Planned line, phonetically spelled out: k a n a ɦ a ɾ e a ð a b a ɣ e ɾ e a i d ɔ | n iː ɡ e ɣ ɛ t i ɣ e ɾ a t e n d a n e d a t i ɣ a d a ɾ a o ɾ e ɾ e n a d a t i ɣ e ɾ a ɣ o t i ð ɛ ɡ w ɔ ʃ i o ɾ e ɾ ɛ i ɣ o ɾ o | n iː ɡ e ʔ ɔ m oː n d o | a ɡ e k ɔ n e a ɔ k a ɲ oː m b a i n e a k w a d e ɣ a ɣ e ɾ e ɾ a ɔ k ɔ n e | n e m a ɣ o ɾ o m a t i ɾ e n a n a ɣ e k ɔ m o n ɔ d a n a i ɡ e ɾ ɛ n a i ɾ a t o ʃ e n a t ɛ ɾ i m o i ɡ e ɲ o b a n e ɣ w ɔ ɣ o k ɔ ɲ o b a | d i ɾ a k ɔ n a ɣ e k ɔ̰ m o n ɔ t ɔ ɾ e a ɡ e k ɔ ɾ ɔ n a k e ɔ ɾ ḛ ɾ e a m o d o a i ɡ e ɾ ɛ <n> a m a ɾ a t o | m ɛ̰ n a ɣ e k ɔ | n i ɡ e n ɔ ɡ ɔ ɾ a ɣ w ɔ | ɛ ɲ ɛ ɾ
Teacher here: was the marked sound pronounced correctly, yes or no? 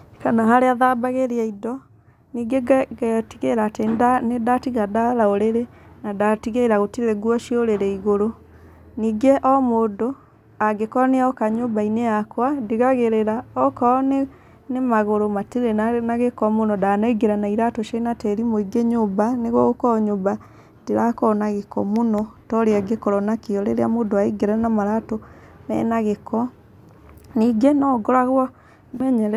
yes